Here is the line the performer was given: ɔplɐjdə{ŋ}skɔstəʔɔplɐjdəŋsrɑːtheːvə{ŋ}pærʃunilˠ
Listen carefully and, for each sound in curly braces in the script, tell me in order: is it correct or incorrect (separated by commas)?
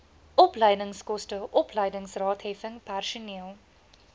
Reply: correct, correct